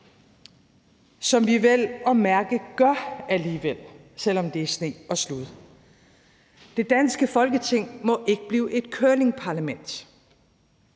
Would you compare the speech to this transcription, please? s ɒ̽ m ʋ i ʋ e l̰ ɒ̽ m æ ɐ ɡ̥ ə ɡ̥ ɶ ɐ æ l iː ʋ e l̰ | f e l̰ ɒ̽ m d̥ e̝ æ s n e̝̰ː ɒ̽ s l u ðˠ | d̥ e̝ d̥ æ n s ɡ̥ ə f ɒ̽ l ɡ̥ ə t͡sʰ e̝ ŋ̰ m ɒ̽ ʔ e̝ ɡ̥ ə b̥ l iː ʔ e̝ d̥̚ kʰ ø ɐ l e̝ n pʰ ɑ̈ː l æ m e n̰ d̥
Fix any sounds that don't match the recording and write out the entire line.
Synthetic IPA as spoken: s ɒ̽ m ʋ i ʋ e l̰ ɒ̽ m æ ɐ ɡ̥ ə ɡ̥ ɶ ɐ æ l iː ʋ e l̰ | s e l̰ ɒ̽ m d̥ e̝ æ s n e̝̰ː ɒ̽ s l u ðˠ | d̥ e̝ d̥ æ n s ɡ̥ ə f ɒ̽ l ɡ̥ ə t͡sʰ e̝ ŋ̰ m ɒ̽ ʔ e̝ ɡ̥ ə b̥ l iː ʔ e̝ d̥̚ kʰ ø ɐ l e̝ ŋ pʰ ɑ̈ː l æ m e n̰ d̥

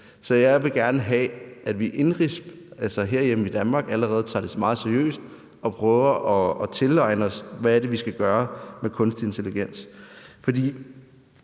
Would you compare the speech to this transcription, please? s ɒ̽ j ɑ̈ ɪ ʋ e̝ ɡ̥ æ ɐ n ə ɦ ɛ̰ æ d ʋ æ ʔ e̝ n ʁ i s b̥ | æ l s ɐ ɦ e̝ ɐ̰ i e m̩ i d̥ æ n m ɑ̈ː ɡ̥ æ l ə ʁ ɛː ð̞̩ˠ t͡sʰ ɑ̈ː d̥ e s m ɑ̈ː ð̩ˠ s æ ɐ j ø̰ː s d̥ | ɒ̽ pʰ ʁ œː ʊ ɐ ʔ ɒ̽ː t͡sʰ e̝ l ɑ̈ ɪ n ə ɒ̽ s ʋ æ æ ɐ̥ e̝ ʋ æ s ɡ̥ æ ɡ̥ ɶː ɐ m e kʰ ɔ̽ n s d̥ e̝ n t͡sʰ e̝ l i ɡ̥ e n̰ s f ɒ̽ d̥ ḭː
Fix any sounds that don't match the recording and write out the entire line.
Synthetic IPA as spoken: s ɒ̽ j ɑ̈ ɪ ʋ e̝ ɡ̥ æ ɐ n ə ɦ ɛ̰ æ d ʋ i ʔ e̝ n ʁ i s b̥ | æ l s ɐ ɦ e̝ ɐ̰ j e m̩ i d̥ æ n m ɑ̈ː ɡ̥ æ l ə ʁ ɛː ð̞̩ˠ t͡sʰ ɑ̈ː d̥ e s m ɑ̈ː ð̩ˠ s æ ɐ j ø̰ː s d̥ | ɒ̽ pʰ ʁ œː ʊ ɐ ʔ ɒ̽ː t͡sʰ e̝ l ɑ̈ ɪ n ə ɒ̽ s ʋ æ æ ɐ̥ e̝ ʋ i s ɡ̥ æ ɡ̥ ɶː ɐ m e kʰ ɔ̽ n s d̥ e̝ n t͡sʰ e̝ l i ɡ̥ e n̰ s f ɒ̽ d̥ ḭː

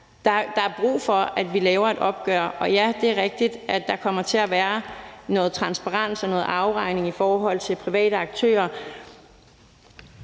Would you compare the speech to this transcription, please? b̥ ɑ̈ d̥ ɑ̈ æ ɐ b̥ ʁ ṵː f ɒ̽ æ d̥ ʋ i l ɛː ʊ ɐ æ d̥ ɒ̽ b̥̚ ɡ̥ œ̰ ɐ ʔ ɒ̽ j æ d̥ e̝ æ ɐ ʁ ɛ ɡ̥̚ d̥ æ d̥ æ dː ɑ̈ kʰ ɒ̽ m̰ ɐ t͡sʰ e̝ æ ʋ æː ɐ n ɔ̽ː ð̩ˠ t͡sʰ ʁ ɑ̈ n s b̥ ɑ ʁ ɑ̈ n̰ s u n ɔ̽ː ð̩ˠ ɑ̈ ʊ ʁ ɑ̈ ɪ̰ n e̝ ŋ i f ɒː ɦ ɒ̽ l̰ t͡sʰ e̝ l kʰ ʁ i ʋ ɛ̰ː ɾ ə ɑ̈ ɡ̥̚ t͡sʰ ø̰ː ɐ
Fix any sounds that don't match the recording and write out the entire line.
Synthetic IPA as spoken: d̥ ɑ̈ d̥ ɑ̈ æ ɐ b̥ ʁ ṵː f ɒ̽ æ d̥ ʋ i l ɛː ʊ ɐ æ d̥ ɒ̽ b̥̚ ɡ̥ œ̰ ɐ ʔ ɒ̽ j æ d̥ e̝ æ ɐ ʁ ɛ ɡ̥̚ d̥ i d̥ æ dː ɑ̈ kʰ ɒ̽ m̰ ɐ t͡sʰ e̝ æ ʋ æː ɐ n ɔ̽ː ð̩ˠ t͡sʰ ʁ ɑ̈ n s b̥ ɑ ʁ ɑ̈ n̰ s ɒ n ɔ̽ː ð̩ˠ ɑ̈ ʊ ʁ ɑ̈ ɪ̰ n e̝ ŋ i f ɒː ɦ ɒ̽ l̰ t͡sʰ e̝ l pʰ ʁ i ʋ ɛ̰ː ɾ ə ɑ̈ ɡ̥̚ t͡sʰ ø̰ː ɐ

